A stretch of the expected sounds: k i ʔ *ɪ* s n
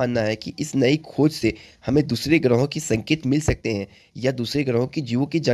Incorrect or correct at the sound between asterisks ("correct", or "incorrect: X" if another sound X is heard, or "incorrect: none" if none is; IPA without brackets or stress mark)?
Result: correct